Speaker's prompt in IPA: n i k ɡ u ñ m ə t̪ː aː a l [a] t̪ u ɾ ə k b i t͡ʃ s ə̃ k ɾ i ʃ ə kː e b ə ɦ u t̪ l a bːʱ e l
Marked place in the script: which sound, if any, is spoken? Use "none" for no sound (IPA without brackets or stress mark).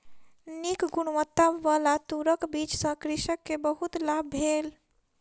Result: a